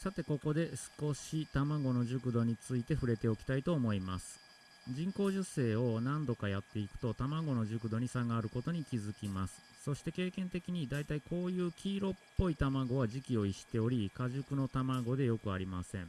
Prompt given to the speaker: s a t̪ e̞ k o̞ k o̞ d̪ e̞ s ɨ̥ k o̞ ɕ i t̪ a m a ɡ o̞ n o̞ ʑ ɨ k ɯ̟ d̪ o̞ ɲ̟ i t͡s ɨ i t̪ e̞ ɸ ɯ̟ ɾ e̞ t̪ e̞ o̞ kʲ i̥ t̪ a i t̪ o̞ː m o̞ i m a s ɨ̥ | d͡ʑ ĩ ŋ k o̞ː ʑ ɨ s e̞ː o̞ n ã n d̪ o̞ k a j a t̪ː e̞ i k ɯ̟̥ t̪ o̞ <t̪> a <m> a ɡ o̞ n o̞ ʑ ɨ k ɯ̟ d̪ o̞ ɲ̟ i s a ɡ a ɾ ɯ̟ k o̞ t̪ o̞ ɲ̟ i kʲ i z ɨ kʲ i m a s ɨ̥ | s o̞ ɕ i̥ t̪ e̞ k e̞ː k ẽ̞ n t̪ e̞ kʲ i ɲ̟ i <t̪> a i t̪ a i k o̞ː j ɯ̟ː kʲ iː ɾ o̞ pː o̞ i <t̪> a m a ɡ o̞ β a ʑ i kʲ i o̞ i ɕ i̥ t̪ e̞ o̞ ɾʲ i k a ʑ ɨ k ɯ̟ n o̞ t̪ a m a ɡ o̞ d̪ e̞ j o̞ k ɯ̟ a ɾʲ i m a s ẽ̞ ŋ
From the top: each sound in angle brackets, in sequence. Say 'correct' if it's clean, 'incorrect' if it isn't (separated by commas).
correct, correct, incorrect, correct